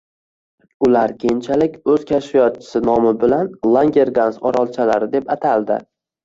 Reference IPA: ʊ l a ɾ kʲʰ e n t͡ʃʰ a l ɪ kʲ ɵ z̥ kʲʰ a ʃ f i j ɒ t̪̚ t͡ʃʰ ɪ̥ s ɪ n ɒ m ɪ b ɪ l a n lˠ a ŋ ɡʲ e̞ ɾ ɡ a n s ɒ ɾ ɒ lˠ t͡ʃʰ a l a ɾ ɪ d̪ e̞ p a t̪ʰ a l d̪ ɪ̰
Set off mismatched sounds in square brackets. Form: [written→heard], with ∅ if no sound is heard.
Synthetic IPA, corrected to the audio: ʊ l a ɾ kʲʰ e n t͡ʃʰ a l ɪ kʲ ɵ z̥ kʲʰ a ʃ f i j ɒ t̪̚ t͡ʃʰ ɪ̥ s ɪ n ɒ m ɪ b ɪ l a n lˠ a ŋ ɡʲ e̞ ɾ ɡ a n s ɒ ɾ ɒ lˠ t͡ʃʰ a l a ɾ ɪ d̪ e̞ p a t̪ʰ a l d̪ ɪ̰